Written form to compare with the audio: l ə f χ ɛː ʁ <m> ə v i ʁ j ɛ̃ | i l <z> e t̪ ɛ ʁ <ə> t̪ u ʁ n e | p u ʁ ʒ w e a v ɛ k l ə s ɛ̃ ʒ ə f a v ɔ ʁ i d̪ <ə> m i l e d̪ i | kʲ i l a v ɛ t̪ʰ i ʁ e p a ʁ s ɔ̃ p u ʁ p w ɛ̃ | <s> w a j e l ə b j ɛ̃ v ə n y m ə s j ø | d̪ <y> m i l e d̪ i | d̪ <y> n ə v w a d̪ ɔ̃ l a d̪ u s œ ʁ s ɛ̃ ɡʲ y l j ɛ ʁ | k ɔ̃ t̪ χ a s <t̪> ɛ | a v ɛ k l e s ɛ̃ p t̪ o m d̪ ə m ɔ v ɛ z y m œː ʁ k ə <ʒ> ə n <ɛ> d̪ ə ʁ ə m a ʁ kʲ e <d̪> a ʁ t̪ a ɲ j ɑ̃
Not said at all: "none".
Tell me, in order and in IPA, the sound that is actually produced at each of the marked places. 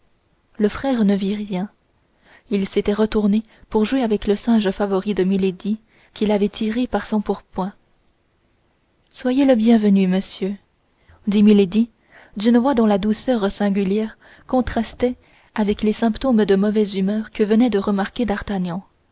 n, s, ə, ə, s, i, y, t̪, v, ɛ, d̪

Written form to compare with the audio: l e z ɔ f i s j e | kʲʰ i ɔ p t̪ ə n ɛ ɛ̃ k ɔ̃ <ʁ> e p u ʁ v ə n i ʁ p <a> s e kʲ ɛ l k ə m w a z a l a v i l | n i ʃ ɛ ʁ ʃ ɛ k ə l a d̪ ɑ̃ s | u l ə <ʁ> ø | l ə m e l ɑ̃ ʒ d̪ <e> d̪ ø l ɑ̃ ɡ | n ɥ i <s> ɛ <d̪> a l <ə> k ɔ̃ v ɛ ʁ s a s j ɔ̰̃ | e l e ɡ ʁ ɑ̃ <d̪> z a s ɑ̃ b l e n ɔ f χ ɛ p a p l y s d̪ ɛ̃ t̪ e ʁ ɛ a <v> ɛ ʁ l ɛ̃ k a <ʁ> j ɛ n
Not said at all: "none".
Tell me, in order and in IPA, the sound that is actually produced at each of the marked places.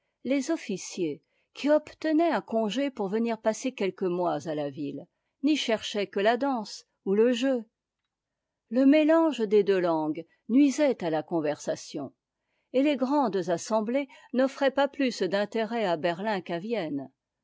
ʒ, a, ʒ, e, z, t̪, a, d̪, b, v

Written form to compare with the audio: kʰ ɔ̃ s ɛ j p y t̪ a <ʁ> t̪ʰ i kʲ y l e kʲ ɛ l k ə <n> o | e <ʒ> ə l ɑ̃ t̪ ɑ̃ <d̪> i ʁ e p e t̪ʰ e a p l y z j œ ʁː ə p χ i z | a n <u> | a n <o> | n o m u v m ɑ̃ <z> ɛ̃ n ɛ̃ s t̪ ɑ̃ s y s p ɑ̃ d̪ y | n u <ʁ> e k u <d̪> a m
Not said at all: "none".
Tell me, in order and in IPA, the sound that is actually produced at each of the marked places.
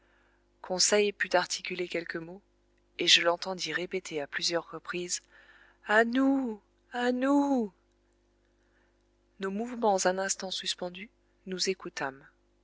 ʁ, m, ʒ, d̪, u, u, z, z, t̪

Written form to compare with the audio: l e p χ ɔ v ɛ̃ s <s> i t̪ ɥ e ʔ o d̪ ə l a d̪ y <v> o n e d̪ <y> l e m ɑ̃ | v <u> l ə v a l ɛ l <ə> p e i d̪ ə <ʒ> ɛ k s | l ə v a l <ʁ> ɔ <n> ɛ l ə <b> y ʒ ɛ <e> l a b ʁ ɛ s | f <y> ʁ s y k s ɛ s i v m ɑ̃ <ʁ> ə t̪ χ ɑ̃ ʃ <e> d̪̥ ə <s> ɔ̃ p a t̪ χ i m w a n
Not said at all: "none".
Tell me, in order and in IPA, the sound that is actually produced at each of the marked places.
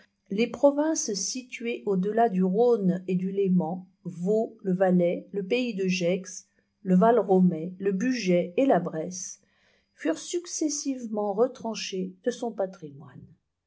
s, ʁ, y, o, ə, ʒ, ʁ, m, b, e, y, ʁ, e, s

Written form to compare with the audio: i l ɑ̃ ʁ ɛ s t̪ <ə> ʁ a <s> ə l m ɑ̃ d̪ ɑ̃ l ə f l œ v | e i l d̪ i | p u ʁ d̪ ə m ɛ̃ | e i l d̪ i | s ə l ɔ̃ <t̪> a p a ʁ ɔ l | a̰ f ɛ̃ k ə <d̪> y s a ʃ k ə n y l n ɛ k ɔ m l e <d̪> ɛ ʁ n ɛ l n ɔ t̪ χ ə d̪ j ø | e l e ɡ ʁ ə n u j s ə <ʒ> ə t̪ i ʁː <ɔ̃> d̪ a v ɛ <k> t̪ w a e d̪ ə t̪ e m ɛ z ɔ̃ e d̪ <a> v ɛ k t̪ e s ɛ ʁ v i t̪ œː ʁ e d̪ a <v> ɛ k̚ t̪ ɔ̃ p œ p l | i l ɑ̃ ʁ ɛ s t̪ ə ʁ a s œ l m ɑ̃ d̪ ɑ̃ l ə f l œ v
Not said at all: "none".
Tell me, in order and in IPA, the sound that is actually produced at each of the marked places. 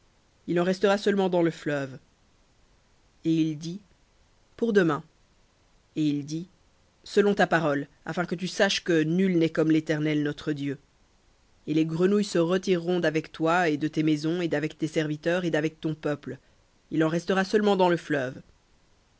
ə, s, t̪, t̪, t̪, ʁ, ɔ̃, k, a, v

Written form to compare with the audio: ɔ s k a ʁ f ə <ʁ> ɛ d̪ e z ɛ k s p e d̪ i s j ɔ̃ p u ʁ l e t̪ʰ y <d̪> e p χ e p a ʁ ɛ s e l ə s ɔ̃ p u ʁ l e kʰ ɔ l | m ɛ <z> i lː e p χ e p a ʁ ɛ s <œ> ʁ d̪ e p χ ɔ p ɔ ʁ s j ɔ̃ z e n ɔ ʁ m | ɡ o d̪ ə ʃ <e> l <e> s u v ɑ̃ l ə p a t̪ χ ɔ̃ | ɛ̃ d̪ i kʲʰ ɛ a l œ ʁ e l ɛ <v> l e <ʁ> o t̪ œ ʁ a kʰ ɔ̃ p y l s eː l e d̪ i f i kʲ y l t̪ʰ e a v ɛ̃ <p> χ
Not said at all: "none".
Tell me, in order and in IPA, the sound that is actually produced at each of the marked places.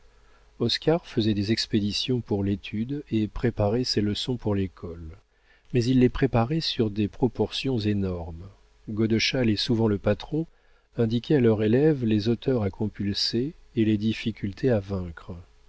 z, d̪, z, y, a, e, v, z, k

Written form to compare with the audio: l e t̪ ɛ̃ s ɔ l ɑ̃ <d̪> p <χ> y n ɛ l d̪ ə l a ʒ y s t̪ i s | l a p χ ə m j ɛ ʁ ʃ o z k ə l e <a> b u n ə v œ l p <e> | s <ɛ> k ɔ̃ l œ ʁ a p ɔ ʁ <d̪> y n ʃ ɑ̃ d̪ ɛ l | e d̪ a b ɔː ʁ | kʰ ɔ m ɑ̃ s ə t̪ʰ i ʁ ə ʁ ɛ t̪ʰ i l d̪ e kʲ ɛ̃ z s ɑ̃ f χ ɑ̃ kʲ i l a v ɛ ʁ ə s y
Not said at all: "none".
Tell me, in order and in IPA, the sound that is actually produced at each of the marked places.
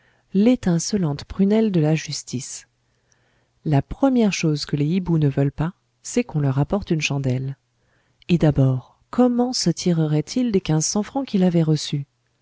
t̪, χ, i, a, ɛ, t̪

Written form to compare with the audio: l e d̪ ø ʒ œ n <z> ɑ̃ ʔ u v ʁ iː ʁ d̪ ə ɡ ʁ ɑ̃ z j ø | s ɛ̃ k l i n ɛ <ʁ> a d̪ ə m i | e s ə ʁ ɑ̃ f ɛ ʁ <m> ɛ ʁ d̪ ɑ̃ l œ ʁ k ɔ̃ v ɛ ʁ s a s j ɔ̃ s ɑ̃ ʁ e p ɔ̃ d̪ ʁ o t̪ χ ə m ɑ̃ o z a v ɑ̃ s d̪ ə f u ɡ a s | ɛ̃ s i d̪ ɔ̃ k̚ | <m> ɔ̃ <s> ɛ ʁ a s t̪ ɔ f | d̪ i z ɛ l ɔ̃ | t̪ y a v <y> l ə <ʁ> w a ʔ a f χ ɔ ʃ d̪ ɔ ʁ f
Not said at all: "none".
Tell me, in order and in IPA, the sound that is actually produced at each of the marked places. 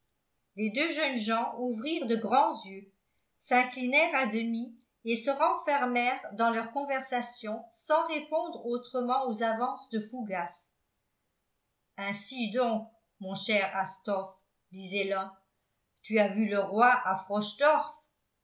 ʒ, ʁ, m, m, ʃ, y, ʁ

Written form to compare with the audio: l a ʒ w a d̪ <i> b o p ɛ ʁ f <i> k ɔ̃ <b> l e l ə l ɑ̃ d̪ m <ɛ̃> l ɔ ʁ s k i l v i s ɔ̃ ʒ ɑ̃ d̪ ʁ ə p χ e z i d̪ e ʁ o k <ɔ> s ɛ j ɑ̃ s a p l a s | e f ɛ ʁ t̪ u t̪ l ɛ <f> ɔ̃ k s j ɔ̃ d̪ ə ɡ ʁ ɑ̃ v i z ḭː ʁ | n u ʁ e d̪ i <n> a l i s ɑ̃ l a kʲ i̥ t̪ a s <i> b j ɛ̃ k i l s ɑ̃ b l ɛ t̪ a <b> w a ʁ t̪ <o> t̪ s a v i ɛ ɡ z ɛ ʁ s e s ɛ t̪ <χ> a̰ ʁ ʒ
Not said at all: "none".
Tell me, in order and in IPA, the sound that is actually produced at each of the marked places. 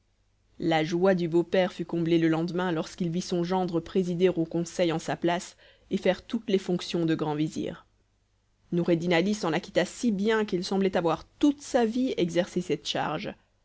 y, y, b, ɛ̃, ɔ̃, f, n, i, v, u, ʃ

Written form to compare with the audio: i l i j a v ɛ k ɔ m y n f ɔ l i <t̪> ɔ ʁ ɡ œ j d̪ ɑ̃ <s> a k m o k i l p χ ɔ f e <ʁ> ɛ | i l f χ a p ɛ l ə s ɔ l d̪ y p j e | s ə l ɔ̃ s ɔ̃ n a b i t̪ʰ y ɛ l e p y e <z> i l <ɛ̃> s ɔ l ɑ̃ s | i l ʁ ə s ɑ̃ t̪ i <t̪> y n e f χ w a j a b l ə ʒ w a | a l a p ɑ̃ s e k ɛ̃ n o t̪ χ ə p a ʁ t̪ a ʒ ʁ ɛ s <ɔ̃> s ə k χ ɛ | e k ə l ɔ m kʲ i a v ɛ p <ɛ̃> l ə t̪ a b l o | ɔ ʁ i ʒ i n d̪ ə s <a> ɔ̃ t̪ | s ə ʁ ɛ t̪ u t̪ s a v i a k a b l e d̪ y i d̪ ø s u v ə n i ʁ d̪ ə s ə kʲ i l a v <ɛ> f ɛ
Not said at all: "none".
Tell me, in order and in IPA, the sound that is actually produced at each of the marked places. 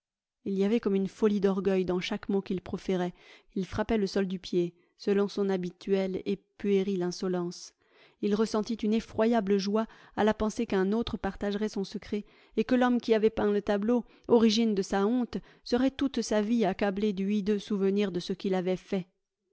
d̪, ʃ, ʁ, ʁ, ɛ̃, t̪, ɔ̃, ɛ̃, a, ɛ

